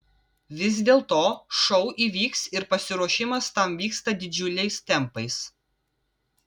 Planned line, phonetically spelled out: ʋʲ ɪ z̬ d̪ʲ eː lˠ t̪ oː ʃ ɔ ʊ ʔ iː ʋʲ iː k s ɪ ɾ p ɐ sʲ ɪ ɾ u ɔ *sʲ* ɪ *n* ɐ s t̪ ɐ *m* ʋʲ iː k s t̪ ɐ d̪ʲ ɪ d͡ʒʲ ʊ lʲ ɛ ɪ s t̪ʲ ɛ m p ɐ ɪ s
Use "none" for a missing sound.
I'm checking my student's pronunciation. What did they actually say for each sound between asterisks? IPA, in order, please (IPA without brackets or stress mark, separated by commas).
ʃʲ, m, m